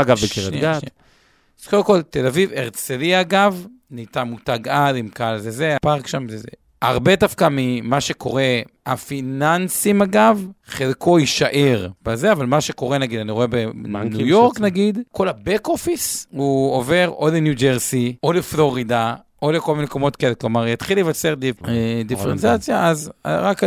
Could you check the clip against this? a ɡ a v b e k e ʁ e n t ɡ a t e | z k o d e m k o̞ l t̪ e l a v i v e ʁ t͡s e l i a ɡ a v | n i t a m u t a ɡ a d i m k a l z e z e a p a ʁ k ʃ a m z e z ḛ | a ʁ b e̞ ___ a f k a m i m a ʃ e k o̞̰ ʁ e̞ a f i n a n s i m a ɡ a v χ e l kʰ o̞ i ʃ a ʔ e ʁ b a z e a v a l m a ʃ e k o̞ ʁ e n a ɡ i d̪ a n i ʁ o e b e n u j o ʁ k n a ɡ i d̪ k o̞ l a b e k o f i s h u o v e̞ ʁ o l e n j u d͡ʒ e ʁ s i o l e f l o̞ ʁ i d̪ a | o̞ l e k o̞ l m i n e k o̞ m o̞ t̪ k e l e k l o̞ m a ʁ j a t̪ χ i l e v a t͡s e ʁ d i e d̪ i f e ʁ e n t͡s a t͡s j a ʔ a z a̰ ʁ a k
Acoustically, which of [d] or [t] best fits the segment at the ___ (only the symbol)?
d